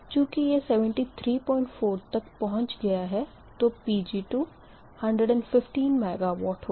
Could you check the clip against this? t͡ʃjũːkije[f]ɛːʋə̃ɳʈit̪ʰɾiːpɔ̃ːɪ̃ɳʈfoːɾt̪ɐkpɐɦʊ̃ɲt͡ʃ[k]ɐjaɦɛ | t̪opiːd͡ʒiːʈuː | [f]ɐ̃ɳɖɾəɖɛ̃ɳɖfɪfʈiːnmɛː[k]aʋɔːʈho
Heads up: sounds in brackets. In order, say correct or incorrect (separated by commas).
incorrect, incorrect, incorrect, incorrect